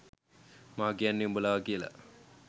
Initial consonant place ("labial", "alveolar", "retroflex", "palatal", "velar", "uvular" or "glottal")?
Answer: labial